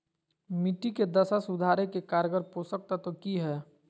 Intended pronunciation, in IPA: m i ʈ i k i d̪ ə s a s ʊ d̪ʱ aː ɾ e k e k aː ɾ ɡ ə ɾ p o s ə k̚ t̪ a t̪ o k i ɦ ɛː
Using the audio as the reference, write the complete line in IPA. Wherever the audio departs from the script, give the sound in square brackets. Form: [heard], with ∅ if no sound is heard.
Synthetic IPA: m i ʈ i k [e] d̪ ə s a s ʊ d̪ʱ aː ɾ e k e k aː ɾ ɡ ə ɾ p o s ə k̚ t̪ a t̪ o k i ɦ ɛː